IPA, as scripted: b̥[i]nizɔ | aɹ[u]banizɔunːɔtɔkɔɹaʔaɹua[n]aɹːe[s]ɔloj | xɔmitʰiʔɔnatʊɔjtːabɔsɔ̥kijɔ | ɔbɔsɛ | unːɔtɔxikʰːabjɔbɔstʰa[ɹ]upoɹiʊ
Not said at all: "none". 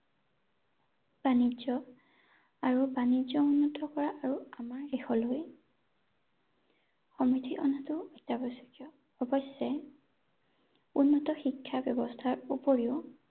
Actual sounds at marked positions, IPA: a, u, m, x, ɹ

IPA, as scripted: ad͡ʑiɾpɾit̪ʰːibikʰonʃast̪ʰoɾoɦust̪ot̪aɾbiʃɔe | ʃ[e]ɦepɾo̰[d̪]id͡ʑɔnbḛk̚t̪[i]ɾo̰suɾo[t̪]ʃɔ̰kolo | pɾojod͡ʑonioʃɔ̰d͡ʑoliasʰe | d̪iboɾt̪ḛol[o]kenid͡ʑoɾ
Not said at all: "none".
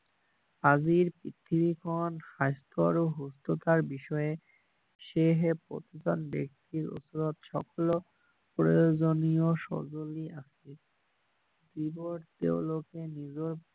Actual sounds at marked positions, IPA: e, t̪, i, t̪, o

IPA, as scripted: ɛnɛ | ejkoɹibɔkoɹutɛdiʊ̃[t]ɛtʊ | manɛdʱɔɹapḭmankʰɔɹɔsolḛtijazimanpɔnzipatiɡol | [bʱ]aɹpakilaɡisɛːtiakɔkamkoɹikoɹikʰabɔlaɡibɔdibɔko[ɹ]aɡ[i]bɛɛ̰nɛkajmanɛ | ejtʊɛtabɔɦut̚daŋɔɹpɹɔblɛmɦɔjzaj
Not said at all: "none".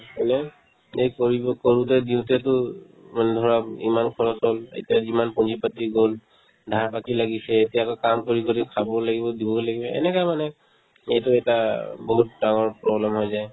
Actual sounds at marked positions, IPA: t, dʱ, l, i

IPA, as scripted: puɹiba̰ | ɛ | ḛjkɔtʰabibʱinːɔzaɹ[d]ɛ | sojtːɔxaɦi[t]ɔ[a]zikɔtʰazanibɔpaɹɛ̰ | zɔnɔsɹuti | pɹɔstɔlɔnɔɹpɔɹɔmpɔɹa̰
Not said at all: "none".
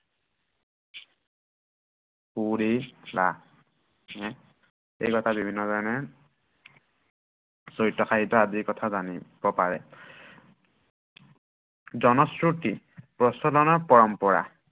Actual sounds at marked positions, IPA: n, t, a

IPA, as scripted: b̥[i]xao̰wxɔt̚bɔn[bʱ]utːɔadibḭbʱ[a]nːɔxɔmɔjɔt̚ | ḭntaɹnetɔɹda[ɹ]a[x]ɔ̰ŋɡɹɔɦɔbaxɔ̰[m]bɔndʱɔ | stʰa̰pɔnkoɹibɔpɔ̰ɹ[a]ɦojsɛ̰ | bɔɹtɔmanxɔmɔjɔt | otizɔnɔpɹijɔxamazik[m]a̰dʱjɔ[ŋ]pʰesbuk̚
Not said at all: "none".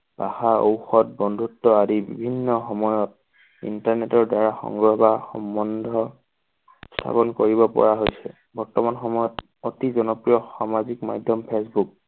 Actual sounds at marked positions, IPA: a, dʱ, i, ɹ, x, m, a, m, m

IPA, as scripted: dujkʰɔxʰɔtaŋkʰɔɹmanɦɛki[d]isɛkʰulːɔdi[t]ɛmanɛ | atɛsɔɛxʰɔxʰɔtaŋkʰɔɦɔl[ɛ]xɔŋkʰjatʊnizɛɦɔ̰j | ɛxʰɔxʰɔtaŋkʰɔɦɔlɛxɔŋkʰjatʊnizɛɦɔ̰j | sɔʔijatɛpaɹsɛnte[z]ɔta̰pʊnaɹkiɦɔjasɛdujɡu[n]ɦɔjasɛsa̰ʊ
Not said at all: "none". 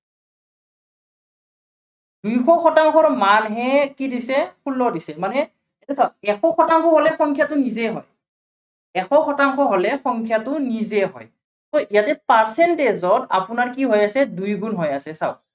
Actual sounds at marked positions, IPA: d, s, ɛ, z, n

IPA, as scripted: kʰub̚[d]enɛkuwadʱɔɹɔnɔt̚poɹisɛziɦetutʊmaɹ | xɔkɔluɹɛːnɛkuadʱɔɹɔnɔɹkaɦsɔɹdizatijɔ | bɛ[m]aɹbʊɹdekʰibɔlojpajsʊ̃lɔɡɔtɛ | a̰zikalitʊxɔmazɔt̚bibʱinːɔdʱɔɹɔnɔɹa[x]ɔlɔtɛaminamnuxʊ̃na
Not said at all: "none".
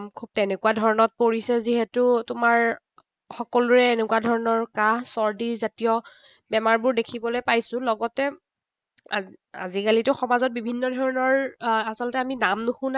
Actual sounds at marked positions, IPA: t, m, s

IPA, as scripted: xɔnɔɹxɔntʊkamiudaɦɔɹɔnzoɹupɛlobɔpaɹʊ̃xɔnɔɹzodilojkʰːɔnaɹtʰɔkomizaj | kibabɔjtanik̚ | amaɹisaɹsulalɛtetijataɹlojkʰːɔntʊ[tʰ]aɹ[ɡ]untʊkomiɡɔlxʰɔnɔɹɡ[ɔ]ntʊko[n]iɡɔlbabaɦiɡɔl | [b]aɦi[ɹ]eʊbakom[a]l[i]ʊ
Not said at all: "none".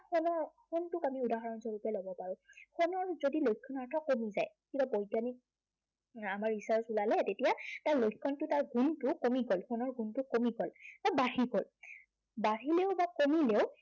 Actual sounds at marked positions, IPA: t, ɡ, u, m, b, l, i, e

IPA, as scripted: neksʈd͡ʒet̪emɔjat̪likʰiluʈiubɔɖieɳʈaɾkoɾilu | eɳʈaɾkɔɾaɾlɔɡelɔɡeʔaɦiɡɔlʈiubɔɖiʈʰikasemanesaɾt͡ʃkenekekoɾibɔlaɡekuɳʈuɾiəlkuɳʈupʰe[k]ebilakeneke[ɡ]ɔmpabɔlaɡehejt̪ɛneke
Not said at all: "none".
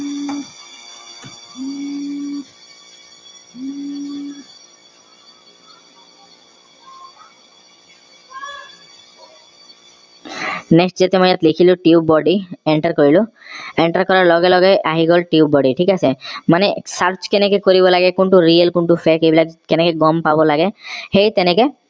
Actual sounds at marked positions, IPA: k, ɡ

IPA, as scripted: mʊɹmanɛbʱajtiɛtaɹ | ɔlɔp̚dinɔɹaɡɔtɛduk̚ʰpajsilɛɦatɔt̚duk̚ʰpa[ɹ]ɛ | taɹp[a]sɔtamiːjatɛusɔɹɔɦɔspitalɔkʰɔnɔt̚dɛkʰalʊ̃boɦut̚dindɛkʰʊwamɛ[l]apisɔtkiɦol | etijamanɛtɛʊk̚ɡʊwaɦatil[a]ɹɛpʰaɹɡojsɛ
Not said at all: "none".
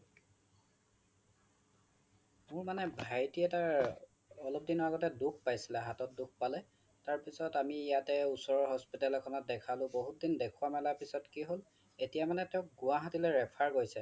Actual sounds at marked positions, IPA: l, i, l, ɛ

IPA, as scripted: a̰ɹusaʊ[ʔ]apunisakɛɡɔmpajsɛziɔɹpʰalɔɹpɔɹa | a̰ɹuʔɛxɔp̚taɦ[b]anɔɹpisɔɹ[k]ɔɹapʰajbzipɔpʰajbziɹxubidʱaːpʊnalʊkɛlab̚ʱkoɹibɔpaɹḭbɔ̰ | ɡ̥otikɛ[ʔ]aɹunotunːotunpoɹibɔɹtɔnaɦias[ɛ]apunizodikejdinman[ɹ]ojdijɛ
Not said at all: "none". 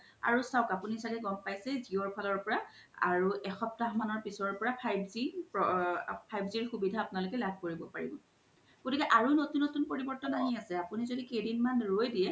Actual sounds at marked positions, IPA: k, m, p, ʔ, ɛ, ɹ

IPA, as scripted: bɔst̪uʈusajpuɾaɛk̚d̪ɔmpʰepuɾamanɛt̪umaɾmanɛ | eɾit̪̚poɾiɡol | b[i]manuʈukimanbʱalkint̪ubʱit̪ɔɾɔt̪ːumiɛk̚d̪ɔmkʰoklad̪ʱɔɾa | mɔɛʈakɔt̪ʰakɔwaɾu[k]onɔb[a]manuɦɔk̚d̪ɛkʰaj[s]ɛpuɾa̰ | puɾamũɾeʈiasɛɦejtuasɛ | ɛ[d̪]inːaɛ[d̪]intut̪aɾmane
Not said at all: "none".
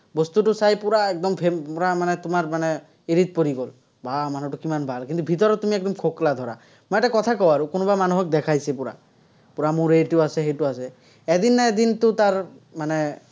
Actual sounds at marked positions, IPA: a, k, a, s, d̪, d̪

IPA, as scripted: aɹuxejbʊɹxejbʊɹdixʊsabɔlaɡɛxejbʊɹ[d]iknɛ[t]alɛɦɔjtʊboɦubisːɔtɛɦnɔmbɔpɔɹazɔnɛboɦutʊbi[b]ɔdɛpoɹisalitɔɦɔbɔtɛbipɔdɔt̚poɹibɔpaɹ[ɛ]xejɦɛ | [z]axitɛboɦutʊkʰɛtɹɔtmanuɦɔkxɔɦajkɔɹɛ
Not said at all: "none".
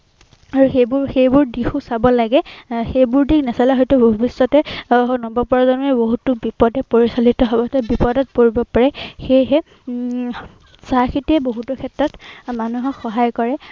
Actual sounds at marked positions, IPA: d, s, p, ɛ, s

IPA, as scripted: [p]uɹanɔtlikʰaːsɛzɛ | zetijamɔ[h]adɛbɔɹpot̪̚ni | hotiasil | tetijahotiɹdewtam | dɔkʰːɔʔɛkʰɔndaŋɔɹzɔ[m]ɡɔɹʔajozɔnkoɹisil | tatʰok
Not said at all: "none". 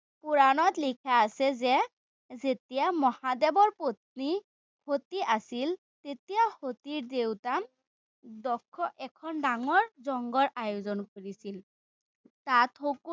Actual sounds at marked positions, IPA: p, h, ŋ

